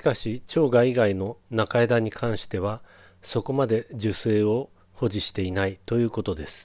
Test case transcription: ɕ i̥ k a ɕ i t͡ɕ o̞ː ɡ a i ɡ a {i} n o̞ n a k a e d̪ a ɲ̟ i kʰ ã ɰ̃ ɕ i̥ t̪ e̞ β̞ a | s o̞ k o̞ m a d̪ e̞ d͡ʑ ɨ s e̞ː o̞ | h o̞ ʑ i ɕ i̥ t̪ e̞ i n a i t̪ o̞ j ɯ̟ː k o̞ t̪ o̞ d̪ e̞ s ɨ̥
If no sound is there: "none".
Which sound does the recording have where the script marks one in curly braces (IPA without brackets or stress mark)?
i